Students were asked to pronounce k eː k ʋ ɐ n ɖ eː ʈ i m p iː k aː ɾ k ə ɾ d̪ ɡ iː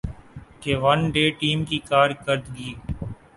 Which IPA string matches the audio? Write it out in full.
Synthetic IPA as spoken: k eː ʋ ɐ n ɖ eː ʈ iː m k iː k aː ɾ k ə ɾ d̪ ɡ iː